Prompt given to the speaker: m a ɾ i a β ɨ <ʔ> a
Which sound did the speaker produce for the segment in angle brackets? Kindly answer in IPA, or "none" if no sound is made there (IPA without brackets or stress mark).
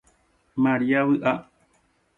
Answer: ʔ